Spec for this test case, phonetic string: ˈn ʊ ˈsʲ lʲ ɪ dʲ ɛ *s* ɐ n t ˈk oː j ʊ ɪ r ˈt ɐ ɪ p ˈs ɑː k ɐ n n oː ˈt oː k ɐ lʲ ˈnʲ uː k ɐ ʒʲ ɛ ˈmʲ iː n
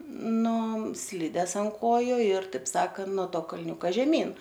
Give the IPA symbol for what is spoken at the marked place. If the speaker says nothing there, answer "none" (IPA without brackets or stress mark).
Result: s